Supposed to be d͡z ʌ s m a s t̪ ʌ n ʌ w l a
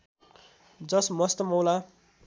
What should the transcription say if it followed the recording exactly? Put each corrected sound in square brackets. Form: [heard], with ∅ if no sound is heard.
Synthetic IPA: d͡z ʌ s m [ʌ] s t̪ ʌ [m] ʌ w l a

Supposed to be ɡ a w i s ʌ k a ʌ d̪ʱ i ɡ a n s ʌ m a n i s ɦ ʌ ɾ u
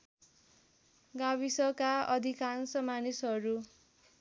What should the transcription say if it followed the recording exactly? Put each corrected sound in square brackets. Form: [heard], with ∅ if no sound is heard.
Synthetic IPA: ɡ a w i s ʌ k a ʌ d̪ʱ i [k] a n s ʌ m a n i s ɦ ʌ ɾ u

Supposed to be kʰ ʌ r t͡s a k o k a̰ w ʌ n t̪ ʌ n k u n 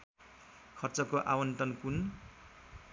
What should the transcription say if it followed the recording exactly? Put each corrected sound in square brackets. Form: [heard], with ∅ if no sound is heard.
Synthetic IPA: kʰ ʌ r t͡s [ʌ] k o [ʔ] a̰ w ʌ n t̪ ʌ n k u n

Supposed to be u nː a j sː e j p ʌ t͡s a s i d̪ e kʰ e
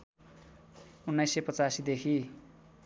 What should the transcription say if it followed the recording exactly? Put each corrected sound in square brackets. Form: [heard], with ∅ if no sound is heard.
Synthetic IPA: u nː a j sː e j p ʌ t͡s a s i d̪ e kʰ [i]

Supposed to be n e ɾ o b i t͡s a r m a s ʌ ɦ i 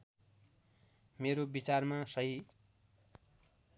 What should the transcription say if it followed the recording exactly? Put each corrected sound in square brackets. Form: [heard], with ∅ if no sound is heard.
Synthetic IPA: [m] e ɾ o b i t͡s a r m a s ʌ ɦ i

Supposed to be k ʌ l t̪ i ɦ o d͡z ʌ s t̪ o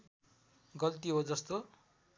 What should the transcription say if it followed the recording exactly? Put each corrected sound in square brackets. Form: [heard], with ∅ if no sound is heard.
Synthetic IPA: [ɡ] ʌ l t̪ i ɦ o d͡z ʌ s t̪ o

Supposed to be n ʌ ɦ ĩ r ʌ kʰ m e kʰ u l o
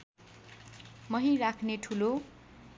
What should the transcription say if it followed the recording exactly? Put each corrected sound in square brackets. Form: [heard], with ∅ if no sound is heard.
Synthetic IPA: [m] ʌ ɦ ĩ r [a] kʰ [n] e [ʈʰ] u l o

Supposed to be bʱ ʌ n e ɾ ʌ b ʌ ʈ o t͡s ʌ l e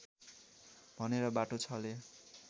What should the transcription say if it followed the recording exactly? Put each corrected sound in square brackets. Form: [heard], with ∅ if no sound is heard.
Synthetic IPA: bʱ ʌ n e ɾ ʌ b [a] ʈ o [t͡sʰ] ʌ l e

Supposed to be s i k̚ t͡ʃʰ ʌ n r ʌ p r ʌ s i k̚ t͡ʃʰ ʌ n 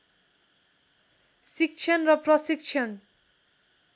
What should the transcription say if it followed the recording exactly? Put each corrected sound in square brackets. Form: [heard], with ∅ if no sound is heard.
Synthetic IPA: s i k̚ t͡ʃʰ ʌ n r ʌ p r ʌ s i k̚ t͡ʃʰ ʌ n

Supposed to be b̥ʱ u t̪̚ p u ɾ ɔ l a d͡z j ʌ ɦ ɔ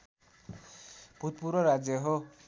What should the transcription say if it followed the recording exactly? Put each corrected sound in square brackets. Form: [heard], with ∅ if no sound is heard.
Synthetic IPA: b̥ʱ u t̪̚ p u ɾ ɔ [ɾ] a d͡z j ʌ ɦ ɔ

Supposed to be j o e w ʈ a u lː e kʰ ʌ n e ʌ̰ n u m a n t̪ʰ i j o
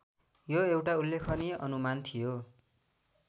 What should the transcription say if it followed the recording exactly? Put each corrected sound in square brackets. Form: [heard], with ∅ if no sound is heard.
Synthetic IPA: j o e w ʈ a u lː e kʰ ʌ n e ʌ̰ n u m a n t̪ʰ i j o

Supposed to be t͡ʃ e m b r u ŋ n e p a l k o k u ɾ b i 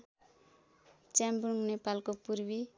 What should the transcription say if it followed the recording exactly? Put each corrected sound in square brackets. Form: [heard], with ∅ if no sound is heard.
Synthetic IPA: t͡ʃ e m b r u ŋ n e p a l k o [p] u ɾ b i

